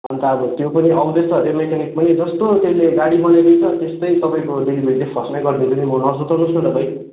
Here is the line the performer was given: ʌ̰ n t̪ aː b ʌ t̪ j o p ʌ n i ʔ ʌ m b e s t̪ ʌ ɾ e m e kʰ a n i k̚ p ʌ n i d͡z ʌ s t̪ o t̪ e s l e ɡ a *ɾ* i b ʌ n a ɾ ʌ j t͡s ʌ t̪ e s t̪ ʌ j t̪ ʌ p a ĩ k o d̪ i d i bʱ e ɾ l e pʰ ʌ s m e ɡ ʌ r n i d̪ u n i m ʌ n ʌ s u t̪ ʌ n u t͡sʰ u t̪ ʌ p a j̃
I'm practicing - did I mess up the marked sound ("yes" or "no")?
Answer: yes